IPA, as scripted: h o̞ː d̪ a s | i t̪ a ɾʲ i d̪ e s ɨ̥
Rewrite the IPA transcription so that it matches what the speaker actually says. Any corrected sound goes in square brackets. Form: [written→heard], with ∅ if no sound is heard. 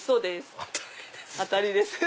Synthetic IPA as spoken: [h→s] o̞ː d̪ [a→e] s | [i→a] t̪ a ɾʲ i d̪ e s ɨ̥